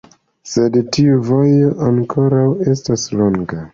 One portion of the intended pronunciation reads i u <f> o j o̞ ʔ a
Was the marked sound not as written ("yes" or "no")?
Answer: yes